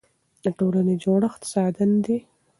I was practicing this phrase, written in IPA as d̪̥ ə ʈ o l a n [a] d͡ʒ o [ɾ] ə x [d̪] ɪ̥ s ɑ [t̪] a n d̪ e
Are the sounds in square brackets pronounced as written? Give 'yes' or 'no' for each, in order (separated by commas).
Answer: no, no, no, no